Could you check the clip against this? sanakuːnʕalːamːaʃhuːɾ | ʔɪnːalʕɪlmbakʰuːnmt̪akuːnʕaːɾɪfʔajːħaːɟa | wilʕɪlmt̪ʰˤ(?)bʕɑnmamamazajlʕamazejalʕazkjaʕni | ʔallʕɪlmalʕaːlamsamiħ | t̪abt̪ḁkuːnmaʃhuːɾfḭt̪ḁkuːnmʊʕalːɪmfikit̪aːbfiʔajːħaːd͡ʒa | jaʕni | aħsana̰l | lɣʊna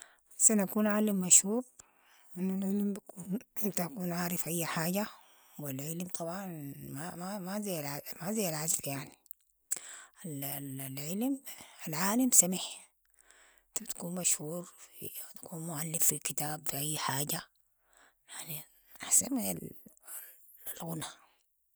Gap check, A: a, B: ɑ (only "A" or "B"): B